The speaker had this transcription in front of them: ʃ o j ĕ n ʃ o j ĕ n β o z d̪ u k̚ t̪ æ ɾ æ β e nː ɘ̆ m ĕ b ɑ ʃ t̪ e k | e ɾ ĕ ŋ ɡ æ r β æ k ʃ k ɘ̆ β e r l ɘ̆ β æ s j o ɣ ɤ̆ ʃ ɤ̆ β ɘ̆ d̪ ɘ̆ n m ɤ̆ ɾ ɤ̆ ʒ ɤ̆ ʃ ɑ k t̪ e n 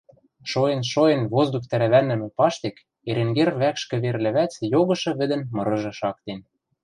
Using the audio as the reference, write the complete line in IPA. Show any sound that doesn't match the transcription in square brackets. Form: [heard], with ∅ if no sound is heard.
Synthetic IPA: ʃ o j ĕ n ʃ o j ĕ n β o z d̪ u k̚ t̪ æ ɾ æ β [æ] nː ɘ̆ m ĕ [p] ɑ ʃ t̪ e k | e ɾ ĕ ŋ ɡ [e] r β æ k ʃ k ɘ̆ β e r l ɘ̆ β æ [t͡s] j o ɣ ɤ̆ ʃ ɤ̆ β ɘ̆ d̪ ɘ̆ n m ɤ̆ ɾ ɤ̆ ʒ ɤ̆ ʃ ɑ k t̪ e n